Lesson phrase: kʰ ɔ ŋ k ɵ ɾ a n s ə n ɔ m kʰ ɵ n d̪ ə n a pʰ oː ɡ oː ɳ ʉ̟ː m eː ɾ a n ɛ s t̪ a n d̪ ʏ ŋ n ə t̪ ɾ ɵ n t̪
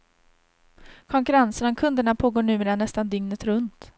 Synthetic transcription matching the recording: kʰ ɔ ŋ k ɵ ɾ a n s ə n ɔ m kʰ ɵ n d̪ ə ɳ a pʰ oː ɡ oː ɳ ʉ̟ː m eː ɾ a n ɛ s t̪ a n d̪ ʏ ŋ n ə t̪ ɾ ɵ n t̪